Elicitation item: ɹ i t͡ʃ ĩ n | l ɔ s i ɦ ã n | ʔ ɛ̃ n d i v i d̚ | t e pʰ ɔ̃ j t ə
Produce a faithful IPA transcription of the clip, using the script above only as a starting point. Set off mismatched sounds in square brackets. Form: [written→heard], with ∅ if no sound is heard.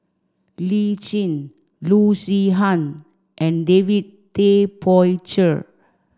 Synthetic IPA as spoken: [ɹ→l] i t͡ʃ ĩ n | l [ɔ→u] s i ɦ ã n | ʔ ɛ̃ n d [i→e] v i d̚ | t e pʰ [ɔ̃→ɔ] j [t→t͡ʃ] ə